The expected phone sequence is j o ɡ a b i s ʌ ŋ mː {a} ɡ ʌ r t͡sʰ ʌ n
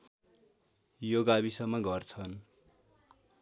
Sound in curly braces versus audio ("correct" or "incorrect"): incorrect